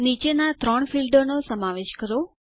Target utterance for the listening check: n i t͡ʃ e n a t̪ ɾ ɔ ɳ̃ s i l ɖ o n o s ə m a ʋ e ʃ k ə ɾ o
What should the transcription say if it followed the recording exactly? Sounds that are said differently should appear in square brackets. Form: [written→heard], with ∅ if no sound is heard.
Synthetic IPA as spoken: n i t͡ʃ e n a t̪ ɾ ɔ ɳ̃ [s→f] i l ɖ o n o s ə m a ʋ e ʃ k ə ɾ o